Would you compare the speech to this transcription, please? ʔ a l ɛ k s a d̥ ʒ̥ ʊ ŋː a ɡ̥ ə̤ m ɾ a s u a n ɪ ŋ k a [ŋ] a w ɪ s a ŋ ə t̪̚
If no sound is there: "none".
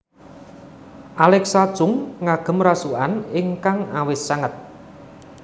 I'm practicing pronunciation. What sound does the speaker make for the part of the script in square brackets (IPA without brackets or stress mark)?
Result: ŋ